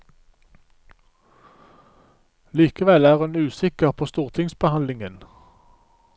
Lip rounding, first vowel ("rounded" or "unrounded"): unrounded